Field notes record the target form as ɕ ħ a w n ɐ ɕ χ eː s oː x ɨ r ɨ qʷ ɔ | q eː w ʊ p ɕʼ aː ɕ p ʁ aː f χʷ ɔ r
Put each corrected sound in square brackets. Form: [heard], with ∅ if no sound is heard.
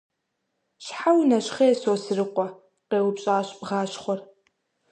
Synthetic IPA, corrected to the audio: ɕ ħ a w n ɐ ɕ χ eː s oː [s] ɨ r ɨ qʷ ɔ | q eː w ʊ p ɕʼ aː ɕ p ʁ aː [ɕ] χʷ ɔ r